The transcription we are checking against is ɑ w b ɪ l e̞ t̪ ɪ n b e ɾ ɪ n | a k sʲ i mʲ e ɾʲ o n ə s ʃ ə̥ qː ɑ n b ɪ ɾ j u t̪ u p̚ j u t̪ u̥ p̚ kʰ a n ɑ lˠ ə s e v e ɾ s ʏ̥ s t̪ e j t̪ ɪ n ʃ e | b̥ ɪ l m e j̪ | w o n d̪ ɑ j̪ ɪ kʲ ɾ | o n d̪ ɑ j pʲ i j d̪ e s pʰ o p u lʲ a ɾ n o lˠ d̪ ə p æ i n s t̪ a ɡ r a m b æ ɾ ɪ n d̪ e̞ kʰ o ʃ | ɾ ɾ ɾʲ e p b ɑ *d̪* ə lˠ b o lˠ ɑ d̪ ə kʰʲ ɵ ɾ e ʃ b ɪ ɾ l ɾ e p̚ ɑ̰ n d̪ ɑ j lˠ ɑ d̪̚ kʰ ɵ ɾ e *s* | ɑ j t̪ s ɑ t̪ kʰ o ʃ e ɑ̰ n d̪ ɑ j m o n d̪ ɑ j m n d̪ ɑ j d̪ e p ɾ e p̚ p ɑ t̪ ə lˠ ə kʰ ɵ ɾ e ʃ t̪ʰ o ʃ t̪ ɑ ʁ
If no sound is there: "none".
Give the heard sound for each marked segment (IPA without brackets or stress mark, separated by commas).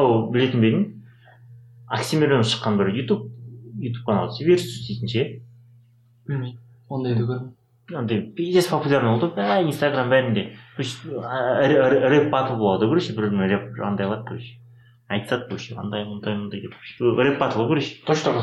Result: t̪, ʃ